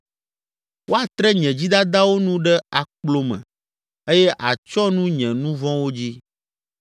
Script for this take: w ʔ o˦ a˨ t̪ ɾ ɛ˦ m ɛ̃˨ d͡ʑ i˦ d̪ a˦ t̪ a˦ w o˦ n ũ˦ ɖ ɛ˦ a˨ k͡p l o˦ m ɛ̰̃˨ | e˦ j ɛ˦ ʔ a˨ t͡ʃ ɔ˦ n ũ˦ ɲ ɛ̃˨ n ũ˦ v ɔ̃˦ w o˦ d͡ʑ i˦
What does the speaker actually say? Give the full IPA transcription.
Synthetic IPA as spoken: w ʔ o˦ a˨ t̪ ɾ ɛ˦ ɲ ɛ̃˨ d͡ʑ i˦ d̪ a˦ d̪ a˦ w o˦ n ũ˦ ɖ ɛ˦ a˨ k͡p l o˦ m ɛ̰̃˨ | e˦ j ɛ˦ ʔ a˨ t͡ʃ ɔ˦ n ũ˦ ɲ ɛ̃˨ n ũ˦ v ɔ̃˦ w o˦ d͡ʑ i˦